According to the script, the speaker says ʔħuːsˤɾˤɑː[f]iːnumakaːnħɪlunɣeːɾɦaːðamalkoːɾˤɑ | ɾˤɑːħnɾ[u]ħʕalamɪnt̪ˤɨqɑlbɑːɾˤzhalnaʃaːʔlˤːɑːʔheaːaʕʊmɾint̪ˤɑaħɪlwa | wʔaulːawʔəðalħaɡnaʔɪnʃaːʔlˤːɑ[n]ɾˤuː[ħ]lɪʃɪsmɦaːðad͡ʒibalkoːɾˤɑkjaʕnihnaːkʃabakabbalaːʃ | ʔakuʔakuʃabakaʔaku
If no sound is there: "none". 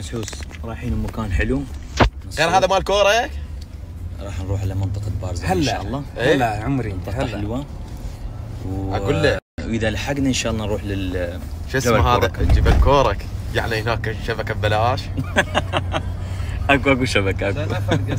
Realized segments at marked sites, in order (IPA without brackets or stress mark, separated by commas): ħ, uː, n, ħ